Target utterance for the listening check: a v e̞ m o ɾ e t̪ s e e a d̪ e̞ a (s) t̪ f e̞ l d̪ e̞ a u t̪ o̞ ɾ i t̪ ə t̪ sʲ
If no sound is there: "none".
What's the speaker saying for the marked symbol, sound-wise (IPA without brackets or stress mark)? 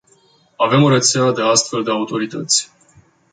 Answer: s